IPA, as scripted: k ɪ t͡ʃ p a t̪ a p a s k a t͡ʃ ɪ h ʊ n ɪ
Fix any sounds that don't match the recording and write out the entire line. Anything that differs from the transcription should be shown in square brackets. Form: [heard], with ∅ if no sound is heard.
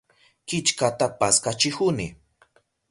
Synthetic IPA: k ɪ t͡ʃ [k] a t̪ a p a s k a t͡ʃ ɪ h ʊ n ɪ